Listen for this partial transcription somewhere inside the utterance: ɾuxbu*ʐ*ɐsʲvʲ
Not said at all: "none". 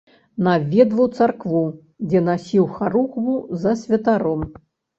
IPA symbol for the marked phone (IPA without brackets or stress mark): z